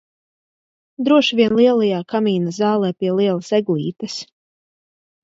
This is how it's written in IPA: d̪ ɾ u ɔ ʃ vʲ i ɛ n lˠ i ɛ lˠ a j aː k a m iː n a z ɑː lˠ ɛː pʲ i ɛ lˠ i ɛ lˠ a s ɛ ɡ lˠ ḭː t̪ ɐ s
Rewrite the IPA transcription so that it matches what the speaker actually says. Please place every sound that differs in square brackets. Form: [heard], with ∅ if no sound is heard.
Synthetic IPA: d̪ ɾ u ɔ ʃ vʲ i ɛ n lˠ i ɛ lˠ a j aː k a m iː n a z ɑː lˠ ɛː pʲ i ɛ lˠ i ɛ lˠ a s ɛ ɡ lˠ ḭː t̪ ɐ s